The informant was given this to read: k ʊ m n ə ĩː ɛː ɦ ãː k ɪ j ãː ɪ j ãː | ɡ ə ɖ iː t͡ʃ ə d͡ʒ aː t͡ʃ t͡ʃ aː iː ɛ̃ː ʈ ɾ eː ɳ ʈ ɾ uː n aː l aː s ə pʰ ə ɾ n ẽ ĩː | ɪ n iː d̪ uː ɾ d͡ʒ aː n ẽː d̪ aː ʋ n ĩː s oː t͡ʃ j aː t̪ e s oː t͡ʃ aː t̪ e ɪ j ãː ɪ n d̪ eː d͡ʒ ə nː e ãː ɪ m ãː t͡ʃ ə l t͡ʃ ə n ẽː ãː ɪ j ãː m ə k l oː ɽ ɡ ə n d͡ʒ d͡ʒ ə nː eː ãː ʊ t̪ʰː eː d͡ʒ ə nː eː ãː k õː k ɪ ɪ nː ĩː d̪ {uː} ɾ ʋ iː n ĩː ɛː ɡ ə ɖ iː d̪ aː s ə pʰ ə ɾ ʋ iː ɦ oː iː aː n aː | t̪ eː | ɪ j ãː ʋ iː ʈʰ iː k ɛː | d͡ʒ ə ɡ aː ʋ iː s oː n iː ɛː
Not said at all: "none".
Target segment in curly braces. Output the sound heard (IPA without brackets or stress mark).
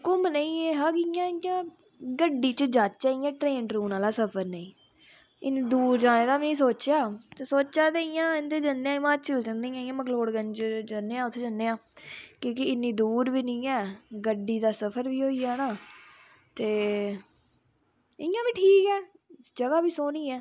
uː